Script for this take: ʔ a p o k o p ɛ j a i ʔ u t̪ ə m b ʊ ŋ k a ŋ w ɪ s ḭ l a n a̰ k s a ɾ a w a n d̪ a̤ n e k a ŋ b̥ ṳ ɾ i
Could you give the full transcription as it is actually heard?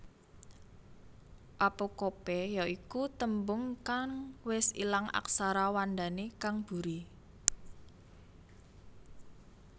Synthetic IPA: ʔ a p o k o p ɛ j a i k u t̪ ə m b ʊ ŋ k a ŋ w ɪ s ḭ l a ŋ a̰ k s a ɾ a w a n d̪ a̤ n e k a ŋ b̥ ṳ ɾ i